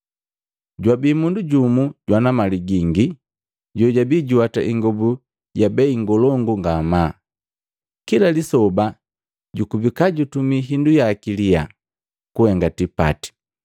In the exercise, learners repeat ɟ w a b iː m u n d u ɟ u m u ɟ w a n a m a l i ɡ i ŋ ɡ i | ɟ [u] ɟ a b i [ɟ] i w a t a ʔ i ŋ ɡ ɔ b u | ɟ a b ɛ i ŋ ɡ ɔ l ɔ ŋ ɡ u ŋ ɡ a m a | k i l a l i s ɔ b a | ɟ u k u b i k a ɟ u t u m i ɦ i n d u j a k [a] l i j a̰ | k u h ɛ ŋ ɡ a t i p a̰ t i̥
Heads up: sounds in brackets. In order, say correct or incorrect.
incorrect: ɔ, correct, incorrect: i

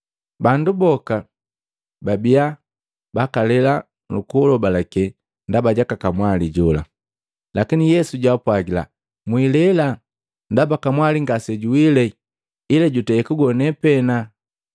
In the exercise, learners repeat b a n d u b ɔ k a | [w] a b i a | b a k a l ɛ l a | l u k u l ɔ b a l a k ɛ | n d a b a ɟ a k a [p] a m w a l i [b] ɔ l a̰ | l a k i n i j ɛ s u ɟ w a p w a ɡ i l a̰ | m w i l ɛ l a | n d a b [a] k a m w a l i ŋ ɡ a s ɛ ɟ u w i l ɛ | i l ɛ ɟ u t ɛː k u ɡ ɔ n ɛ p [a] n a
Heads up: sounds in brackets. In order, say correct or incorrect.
incorrect: b, incorrect: k, incorrect: ɟ, correct, incorrect: ɛ

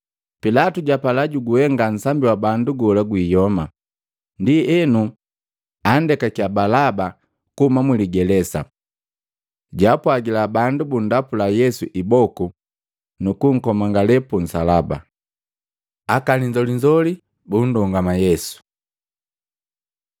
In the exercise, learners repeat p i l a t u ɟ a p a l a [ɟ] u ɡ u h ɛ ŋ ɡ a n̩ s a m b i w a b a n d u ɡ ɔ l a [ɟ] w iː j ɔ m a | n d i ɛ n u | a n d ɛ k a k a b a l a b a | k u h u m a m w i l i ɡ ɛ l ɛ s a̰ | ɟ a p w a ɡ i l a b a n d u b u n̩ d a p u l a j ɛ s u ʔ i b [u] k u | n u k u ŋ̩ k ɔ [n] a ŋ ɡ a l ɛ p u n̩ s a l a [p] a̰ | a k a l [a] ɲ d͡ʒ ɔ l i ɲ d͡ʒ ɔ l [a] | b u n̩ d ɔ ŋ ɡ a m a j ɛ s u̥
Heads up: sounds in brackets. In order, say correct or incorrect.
correct, incorrect: ɡ, incorrect: ɔ, incorrect: m, incorrect: b, incorrect: i, incorrect: i

